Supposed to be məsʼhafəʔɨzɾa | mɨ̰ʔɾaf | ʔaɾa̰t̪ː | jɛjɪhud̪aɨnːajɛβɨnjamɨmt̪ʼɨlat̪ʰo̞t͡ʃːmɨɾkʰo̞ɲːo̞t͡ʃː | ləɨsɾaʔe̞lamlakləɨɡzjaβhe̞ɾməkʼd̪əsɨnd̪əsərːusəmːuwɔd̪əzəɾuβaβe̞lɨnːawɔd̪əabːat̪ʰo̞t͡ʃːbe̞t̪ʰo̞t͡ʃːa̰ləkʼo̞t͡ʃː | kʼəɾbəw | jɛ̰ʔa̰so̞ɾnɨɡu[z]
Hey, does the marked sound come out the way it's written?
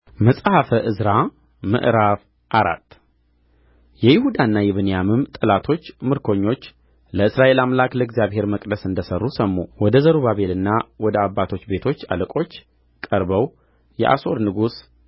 no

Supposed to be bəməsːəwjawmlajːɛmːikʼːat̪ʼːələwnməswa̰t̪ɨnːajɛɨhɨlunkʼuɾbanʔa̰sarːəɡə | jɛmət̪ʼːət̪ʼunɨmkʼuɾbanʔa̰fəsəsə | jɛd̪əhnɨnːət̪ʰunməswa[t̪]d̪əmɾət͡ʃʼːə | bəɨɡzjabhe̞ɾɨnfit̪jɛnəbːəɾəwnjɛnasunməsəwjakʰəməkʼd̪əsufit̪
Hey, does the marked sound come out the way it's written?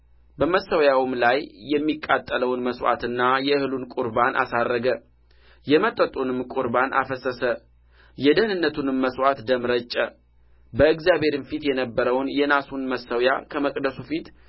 yes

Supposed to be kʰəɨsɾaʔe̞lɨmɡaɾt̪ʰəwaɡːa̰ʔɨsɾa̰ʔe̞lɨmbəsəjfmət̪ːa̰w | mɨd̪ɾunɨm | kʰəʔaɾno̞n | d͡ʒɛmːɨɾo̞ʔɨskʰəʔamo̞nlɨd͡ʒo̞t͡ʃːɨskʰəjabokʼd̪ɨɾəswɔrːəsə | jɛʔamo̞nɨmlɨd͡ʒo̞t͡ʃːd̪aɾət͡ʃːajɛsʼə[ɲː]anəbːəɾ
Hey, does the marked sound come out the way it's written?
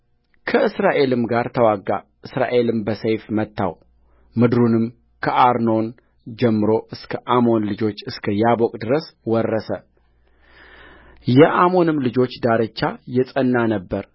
no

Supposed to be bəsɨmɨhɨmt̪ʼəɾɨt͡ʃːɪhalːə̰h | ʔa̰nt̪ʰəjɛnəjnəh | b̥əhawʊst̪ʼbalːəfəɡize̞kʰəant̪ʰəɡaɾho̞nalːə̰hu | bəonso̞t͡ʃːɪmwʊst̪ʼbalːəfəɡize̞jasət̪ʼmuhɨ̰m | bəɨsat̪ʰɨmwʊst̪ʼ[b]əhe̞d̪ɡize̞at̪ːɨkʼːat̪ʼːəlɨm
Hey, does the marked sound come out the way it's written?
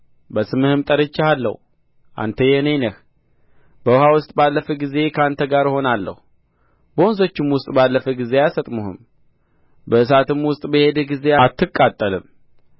yes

